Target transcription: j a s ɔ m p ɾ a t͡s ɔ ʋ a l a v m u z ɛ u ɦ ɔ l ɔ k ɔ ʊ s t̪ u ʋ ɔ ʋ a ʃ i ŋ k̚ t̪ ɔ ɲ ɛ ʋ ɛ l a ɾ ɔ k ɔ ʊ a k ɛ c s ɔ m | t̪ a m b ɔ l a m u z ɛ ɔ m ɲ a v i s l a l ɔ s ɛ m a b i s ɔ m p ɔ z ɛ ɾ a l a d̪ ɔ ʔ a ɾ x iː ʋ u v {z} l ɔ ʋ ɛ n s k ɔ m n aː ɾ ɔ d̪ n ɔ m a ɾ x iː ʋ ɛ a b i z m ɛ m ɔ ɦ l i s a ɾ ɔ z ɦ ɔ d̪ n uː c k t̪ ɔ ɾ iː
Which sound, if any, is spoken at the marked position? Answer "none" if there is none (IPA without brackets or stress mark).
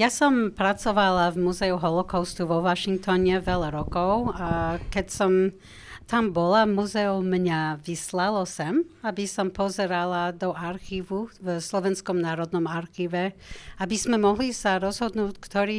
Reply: s